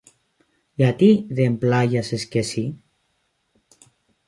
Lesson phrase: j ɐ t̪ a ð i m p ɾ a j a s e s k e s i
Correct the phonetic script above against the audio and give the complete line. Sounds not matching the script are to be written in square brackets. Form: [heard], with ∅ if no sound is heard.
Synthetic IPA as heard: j [a] t̪ [i] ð [e] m p [l] a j a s e s k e s i